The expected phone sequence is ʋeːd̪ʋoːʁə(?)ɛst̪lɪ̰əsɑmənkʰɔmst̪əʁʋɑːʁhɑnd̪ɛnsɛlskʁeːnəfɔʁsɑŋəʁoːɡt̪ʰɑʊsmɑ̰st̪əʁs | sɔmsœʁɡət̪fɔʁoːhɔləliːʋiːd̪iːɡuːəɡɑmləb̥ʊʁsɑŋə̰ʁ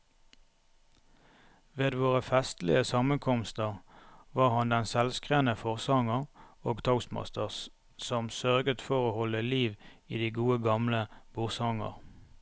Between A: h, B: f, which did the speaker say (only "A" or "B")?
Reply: B